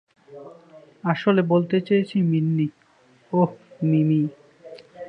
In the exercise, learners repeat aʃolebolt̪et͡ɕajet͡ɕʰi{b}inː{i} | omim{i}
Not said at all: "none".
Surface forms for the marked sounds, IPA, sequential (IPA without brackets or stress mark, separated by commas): m, i, i